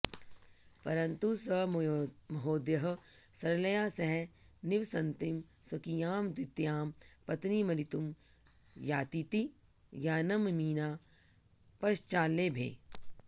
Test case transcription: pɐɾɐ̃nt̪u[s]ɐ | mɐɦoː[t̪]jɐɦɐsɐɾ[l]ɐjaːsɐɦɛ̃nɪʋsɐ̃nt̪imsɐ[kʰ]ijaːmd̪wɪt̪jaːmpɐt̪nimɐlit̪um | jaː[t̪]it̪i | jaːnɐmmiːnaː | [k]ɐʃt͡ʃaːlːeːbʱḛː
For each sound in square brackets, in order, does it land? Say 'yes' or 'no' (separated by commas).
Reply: yes, no, yes, no, yes, no